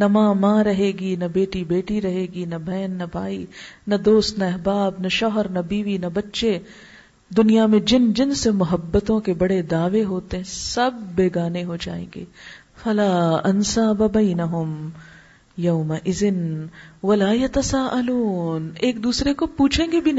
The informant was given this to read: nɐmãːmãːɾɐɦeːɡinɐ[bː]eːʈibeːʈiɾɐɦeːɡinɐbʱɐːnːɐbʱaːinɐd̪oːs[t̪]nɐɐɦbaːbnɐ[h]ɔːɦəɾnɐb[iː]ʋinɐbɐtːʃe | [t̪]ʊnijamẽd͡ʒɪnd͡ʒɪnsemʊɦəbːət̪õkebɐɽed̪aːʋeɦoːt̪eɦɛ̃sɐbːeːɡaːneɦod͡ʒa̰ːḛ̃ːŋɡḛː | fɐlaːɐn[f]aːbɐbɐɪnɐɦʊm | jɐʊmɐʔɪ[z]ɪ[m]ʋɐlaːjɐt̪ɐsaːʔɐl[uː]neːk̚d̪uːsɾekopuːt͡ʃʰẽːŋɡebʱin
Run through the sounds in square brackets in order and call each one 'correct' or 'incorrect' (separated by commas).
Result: incorrect, correct, incorrect, correct, incorrect, incorrect, correct, incorrect, correct